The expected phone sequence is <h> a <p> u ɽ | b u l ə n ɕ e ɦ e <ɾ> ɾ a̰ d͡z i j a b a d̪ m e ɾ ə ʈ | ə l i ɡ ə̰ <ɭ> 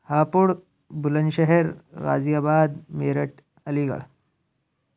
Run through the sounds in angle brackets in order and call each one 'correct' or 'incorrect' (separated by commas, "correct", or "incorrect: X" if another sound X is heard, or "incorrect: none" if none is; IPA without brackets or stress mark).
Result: correct, correct, correct, correct